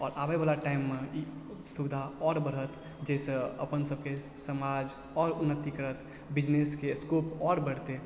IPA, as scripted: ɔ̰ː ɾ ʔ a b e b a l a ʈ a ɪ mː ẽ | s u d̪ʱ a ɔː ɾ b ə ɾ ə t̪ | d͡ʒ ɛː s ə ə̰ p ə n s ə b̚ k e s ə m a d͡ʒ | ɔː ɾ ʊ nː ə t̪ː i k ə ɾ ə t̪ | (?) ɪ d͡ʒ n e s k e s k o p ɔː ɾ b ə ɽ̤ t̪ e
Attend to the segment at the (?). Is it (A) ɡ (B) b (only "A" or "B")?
B